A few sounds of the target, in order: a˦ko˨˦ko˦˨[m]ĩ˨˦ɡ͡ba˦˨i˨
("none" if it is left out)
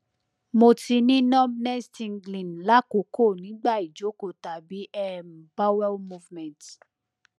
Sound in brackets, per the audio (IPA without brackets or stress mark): n